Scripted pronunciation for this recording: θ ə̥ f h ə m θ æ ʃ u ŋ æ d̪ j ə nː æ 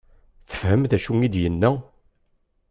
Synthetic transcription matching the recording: θ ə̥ f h ə m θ æ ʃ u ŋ i d̪ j ə nː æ

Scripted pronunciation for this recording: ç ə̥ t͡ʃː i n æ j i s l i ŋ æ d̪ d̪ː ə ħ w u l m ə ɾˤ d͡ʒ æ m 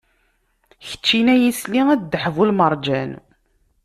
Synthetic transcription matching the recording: ç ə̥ t͡ʃː i n æ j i s l i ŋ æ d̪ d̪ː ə ħ v u l m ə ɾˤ d͡ʒ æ n

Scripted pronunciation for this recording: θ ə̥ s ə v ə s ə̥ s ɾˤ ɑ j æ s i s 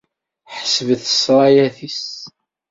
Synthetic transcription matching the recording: ħ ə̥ s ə v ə θ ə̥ s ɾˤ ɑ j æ θ i s

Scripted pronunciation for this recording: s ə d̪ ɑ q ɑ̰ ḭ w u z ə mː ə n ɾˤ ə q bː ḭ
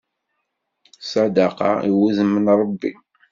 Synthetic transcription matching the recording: s ɑ d̪ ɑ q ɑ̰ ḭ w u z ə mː ə n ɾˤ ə bː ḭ

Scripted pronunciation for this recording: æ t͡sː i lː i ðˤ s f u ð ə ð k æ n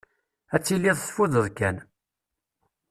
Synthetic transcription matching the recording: æ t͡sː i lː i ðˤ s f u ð ə ð k æ n

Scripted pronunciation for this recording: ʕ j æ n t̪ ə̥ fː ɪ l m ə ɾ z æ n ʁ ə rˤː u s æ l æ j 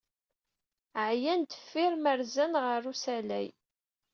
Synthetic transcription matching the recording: ʕ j æ n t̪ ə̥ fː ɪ ɾ m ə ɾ z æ n ʁ ə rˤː u s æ l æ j

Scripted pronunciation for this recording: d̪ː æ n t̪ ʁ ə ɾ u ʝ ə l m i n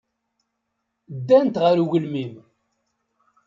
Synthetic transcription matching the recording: d̪ː æ n t̪ ʁ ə ɾ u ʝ ə l m i m

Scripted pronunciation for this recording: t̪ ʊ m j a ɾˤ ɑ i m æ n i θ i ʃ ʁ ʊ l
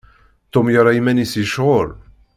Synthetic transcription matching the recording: t̪ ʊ m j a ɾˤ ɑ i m æ n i s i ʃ ʁ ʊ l

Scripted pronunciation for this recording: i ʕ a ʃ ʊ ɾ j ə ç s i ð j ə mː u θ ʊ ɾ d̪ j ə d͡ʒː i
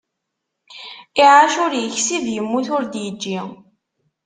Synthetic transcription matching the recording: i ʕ a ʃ ʊ ɾ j ə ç s i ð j ə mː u θ ʊ ɾ d̪ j ə d͡ʒː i

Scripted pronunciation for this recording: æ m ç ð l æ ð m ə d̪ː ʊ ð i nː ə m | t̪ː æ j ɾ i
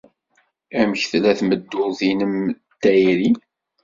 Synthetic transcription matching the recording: æ m ç θ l æ θ m ə d̪ː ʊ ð i n ə m | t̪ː æ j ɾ i

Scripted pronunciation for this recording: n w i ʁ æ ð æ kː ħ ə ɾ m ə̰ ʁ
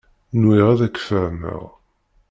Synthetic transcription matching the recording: n w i ʁ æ ð æ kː f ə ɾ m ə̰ ʁ

